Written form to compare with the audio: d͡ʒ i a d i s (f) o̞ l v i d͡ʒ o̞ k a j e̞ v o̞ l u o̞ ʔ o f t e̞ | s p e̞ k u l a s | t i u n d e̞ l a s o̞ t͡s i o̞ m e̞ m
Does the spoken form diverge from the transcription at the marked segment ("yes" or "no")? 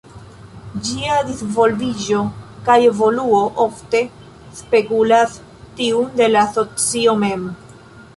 yes